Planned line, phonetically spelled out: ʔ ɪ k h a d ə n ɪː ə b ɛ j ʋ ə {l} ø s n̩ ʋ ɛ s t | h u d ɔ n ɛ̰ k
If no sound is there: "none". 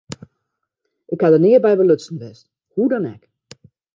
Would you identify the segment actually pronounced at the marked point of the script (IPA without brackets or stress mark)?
l